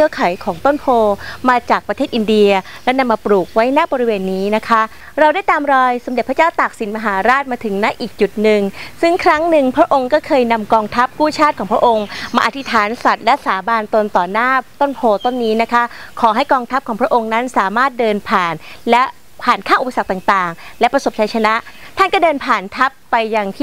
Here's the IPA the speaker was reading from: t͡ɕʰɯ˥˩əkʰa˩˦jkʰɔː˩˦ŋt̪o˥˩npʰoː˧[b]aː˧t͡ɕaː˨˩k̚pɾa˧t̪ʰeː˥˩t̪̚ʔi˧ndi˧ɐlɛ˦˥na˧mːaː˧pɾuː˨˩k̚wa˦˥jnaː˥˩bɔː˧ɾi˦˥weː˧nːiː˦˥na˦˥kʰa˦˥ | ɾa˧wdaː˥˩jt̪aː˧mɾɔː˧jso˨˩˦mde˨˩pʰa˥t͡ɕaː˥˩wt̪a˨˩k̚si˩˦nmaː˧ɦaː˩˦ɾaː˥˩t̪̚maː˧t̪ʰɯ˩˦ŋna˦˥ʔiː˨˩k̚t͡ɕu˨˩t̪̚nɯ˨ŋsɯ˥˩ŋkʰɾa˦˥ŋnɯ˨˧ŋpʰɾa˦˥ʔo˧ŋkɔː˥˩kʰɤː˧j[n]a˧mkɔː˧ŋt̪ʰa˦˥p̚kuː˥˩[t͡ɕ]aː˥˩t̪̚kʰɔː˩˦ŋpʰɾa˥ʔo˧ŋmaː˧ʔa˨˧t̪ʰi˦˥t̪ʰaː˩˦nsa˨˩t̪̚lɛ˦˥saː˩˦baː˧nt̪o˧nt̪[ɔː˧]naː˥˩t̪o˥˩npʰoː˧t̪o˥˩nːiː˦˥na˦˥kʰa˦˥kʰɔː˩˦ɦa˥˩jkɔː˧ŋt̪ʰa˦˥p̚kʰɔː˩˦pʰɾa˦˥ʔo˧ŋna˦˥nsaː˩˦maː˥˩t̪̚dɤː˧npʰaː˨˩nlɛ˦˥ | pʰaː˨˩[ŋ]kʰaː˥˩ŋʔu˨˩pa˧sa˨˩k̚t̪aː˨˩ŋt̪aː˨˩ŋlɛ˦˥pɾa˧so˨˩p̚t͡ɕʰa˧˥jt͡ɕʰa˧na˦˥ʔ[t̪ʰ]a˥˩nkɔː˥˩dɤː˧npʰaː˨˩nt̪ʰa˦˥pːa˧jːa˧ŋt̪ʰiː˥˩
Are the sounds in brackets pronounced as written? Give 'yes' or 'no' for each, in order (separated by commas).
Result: no, yes, no, no, no, yes